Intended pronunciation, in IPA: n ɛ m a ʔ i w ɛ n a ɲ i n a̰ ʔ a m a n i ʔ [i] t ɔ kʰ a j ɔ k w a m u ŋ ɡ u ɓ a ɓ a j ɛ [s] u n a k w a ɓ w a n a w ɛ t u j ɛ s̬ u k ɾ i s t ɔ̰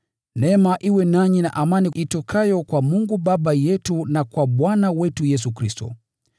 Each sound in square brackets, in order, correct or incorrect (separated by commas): correct, incorrect